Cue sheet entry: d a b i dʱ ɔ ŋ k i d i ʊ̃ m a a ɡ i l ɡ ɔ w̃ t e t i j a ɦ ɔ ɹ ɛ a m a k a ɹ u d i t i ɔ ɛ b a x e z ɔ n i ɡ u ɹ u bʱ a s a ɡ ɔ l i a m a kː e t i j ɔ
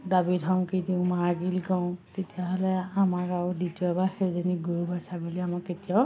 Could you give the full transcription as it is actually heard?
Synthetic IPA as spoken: d a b i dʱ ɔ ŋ k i d i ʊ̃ m a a ɡ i l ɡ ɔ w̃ t e t i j a ɦ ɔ l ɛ a m a k a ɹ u d i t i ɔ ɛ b a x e z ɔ n i ɡ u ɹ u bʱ a s a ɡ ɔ l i a m a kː e t i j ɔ